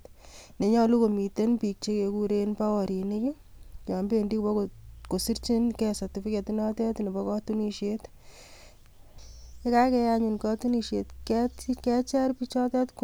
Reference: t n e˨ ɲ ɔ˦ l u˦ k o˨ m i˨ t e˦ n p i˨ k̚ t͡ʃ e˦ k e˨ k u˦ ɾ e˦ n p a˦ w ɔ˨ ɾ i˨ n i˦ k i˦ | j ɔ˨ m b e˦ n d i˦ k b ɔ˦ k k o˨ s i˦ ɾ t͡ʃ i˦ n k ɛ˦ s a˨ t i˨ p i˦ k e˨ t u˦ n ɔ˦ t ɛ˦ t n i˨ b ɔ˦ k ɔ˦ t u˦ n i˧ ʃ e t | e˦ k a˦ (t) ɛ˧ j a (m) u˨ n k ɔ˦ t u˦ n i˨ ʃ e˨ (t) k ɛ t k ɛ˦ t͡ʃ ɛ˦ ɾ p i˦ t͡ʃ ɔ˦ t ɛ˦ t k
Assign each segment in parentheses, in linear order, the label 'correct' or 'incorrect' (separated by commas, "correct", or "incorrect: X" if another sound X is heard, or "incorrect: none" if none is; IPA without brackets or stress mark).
incorrect: k, incorrect: ɲ, correct